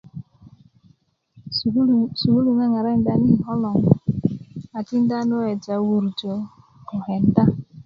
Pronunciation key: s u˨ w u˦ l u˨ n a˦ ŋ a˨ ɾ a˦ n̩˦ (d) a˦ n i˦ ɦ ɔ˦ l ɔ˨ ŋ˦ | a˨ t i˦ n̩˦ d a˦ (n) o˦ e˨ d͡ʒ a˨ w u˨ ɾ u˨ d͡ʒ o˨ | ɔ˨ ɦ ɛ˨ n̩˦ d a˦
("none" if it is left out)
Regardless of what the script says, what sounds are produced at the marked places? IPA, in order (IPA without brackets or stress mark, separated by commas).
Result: d, n